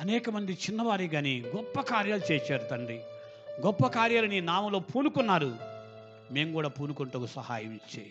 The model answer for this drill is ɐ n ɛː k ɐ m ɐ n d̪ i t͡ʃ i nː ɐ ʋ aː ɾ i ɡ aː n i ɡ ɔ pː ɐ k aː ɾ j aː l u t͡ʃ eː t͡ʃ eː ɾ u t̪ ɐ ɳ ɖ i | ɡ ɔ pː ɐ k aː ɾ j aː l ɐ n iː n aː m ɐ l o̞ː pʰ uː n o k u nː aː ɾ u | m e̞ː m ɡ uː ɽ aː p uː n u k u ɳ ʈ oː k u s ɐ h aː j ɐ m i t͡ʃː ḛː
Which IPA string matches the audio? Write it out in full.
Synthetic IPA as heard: ɐ n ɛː k ɐ m ɐ n d̪ i t͡ʃ i nː ɐ ʋ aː ɾ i ɡ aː n i ɡ ɔ pː ɐ k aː ɾ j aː l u t͡ʃ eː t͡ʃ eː ɾ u t̪ ɐ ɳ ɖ i | ɡ ɔ pː ɐ k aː ɾ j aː l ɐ n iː n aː m ɐ l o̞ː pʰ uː n u k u nː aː ɾ u | m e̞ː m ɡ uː ɽ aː p uː n u k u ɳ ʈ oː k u s ɐ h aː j ɐ m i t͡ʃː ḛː